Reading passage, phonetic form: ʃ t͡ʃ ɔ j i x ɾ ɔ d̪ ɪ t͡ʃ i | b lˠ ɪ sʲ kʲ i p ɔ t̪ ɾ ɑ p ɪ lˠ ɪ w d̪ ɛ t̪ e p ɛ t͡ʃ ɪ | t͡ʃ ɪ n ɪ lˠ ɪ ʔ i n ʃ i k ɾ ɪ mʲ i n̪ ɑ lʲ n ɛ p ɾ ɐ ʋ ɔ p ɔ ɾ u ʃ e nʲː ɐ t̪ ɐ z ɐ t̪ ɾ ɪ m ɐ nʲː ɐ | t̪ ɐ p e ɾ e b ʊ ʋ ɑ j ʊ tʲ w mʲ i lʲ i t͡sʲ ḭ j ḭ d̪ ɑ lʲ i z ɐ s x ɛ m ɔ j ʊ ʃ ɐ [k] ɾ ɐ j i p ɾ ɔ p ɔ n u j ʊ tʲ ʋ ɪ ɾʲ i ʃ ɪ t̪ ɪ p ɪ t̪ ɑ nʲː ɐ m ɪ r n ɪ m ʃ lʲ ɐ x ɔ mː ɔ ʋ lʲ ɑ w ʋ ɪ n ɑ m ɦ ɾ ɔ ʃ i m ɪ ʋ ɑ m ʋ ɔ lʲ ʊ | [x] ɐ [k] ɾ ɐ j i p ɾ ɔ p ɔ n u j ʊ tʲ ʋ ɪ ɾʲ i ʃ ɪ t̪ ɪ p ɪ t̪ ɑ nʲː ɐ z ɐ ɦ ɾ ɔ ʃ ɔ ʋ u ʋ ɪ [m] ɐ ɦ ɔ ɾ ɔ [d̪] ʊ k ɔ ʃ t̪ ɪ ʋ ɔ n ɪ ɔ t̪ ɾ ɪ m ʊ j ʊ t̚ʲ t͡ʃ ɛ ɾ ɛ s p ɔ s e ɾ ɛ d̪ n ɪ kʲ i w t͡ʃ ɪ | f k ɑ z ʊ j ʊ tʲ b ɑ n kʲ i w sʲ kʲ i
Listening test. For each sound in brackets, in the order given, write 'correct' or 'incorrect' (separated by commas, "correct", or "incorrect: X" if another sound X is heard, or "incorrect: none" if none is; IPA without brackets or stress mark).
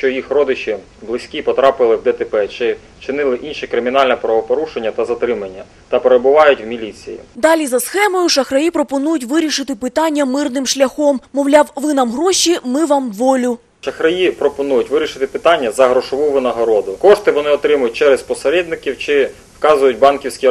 incorrect: x, incorrect: ʃ, incorrect: x, incorrect: n, correct